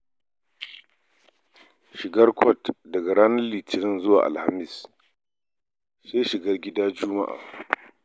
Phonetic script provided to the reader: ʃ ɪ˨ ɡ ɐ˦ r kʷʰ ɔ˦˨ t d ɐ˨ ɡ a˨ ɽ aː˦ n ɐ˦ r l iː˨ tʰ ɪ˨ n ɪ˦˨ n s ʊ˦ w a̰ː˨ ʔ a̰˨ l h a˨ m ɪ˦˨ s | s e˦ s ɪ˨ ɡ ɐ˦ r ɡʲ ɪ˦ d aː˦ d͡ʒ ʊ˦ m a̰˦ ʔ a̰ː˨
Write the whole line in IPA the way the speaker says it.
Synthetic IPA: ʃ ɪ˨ ɡ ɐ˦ r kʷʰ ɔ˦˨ t d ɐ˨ ɡ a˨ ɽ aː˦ n ɐ˦ r l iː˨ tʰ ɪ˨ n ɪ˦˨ n z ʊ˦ w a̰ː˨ ʔ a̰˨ l h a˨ m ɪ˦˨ s | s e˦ ʃ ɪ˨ ɡ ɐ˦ r ɡʲ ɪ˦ d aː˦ d͡ʒ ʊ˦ m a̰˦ ʔ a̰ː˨